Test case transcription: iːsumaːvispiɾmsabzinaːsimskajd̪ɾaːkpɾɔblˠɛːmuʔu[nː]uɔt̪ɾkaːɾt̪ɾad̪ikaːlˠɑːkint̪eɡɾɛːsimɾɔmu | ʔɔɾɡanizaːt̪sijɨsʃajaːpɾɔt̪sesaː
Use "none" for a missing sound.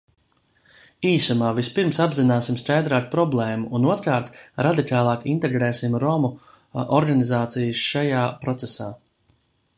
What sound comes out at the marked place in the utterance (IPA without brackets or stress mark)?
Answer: n